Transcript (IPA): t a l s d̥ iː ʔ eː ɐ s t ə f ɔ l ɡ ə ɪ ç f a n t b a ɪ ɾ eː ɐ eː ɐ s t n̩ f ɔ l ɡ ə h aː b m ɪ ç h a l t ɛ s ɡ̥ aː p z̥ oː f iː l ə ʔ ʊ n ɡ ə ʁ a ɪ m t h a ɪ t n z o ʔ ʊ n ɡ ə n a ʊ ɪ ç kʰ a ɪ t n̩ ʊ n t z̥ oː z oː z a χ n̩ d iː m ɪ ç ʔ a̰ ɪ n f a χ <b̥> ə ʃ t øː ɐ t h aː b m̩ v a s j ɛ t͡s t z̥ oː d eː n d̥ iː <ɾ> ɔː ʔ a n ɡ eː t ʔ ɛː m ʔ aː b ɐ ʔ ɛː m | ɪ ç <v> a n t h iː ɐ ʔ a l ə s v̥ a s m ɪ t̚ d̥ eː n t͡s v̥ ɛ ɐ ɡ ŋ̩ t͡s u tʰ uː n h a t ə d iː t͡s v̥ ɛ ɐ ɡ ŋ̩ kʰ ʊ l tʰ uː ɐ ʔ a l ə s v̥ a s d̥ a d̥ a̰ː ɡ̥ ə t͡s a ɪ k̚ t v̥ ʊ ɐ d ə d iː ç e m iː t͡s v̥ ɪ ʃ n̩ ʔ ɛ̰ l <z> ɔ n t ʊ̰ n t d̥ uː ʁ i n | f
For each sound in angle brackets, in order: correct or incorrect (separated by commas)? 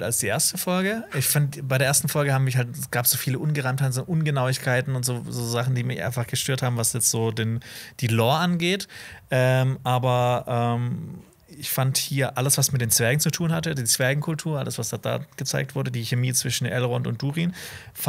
incorrect, incorrect, incorrect, incorrect